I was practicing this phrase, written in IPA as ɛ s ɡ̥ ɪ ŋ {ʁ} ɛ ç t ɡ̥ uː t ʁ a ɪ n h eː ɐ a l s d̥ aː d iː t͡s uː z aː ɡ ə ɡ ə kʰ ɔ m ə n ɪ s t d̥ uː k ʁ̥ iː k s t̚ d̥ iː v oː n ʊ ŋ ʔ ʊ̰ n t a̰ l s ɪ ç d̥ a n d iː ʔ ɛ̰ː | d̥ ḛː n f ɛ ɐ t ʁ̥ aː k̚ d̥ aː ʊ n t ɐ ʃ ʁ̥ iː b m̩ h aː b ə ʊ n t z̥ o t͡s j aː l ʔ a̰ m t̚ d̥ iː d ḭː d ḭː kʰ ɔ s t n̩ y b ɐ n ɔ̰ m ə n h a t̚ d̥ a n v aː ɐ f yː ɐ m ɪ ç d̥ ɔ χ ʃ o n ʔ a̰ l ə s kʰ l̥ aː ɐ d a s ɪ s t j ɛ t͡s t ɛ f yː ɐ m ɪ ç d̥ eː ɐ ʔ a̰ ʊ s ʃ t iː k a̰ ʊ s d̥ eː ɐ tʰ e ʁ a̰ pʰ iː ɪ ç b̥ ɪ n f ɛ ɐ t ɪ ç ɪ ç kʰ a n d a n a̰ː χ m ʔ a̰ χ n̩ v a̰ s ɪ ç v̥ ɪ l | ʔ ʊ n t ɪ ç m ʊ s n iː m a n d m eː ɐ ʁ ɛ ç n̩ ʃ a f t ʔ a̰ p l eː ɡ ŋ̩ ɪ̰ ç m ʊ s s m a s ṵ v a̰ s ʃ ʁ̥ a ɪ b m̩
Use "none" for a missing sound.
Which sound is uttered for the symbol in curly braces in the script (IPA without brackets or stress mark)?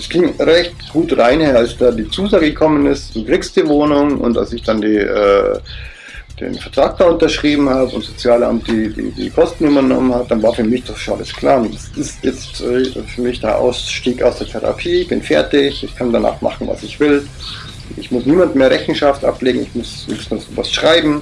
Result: ʁ